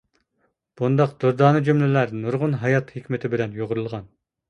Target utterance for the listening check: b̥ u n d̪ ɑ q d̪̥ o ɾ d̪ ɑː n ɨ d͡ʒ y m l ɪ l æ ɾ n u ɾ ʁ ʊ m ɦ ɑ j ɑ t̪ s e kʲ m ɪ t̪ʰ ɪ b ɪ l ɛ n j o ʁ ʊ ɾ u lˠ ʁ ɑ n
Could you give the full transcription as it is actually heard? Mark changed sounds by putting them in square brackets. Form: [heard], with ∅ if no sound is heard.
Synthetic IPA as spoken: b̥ u n d̪ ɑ q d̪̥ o ɾ d̪ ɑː n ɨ d͡ʒ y m l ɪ l æ ɾ n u ɾ ʁ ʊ [n] ɦ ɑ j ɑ t̪ [h] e kʲ m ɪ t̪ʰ ɪ b ɪ l ɛ n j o ʁ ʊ ɾ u lˠ ʁ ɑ n